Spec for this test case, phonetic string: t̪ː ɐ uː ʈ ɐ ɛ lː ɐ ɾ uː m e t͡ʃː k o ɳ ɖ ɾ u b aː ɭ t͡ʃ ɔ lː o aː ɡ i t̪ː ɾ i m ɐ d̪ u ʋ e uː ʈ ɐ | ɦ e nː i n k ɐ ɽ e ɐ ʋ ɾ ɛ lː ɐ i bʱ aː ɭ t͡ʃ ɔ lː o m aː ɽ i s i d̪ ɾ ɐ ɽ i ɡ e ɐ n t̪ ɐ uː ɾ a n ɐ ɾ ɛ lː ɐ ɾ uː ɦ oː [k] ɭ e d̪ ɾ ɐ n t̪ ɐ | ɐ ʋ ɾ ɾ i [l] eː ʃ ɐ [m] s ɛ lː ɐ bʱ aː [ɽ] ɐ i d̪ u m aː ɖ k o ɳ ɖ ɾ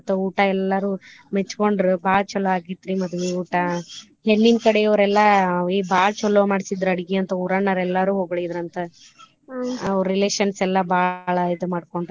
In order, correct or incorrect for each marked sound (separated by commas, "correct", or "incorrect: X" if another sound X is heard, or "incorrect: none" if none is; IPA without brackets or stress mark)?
incorrect: ɡ, correct, incorrect: n, incorrect: ɭ